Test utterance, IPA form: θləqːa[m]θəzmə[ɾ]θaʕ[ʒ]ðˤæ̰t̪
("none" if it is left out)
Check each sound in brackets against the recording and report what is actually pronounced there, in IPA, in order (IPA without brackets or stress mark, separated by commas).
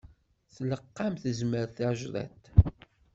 m, ɾ, ʒ